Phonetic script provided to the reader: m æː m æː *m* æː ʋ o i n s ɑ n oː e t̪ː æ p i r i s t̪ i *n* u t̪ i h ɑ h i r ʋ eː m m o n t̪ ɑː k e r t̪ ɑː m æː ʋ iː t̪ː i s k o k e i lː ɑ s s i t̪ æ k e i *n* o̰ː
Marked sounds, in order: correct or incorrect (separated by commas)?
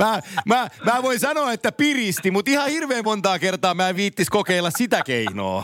correct, incorrect, correct